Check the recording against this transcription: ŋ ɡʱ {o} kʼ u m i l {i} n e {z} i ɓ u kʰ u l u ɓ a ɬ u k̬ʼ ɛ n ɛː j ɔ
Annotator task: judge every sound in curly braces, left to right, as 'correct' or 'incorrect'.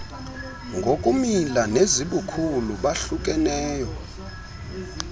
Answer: correct, incorrect: a, correct

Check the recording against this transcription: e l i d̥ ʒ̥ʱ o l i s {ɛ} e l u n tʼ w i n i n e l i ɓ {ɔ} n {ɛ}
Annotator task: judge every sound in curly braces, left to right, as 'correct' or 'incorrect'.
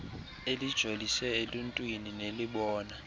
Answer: correct, incorrect: ɔː, incorrect: a

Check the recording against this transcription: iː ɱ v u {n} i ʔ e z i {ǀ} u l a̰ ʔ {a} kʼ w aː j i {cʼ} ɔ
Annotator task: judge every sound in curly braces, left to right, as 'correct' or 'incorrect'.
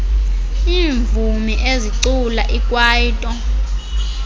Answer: incorrect: m, correct, incorrect: i, incorrect: tʼ

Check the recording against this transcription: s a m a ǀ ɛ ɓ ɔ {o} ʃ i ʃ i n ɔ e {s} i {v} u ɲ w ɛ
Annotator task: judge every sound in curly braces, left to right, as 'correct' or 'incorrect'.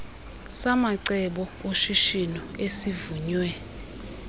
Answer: correct, correct, correct

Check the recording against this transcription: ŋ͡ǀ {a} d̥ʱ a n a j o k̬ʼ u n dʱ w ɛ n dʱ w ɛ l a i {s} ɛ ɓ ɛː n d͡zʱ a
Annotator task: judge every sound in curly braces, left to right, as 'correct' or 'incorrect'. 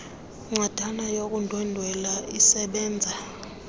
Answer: correct, correct

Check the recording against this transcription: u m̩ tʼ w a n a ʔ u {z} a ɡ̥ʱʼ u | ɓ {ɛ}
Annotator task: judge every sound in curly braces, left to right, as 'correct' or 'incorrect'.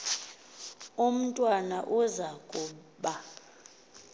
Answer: correct, incorrect: a

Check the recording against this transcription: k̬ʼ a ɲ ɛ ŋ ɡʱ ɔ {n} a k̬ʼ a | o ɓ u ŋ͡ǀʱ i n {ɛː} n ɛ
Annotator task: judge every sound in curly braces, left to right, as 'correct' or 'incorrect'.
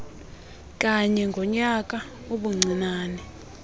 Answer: incorrect: ɲ, incorrect: aː

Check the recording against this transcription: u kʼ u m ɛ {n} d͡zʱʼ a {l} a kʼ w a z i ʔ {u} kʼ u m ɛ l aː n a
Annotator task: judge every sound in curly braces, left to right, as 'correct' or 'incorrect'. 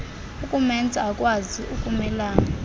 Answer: correct, incorrect: none, correct

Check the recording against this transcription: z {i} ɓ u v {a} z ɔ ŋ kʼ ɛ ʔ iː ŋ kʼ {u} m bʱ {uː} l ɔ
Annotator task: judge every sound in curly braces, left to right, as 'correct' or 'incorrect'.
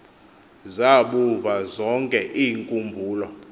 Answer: incorrect: a, correct, correct, correct

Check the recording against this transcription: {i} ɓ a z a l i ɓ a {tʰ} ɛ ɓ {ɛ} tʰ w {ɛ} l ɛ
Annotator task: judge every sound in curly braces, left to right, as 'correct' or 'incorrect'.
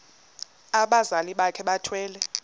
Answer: incorrect: a, incorrect: kʰ, incorrect: a, incorrect: ɛː

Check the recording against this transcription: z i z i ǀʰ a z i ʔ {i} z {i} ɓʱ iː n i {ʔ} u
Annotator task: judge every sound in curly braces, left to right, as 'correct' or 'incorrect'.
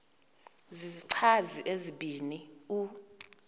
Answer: incorrect: e, correct, incorrect: none

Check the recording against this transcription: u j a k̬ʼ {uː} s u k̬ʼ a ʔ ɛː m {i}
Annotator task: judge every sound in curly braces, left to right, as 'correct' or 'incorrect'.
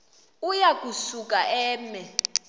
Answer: incorrect: u, incorrect: ɛ

